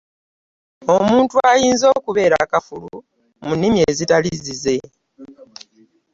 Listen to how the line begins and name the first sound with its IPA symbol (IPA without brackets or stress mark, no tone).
o̞